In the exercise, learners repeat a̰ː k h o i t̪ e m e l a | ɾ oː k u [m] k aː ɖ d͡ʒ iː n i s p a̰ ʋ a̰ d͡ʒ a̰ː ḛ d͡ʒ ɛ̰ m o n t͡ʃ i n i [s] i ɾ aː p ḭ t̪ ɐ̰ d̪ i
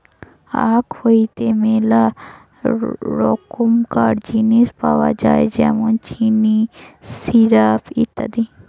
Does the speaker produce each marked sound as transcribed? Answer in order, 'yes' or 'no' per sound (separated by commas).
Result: yes, yes